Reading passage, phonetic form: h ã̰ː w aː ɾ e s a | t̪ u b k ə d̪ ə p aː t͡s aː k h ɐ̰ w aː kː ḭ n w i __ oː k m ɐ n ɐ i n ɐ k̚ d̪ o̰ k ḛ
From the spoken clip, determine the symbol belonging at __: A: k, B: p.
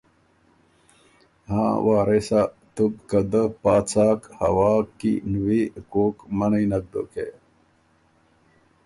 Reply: A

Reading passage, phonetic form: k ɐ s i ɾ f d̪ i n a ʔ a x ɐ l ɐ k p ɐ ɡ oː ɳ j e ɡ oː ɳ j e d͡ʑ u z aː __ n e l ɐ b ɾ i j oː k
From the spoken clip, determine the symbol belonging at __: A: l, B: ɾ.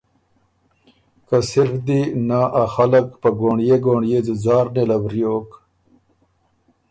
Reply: B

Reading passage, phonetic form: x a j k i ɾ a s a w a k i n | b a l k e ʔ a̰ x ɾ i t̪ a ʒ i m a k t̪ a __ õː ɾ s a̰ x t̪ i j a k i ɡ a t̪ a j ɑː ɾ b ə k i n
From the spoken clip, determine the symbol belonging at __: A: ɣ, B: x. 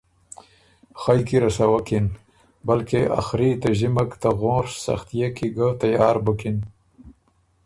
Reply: A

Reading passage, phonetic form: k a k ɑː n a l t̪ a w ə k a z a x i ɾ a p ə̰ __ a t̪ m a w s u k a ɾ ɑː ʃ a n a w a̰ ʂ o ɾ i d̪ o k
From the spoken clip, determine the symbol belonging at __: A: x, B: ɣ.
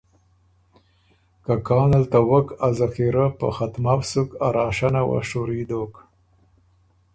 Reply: A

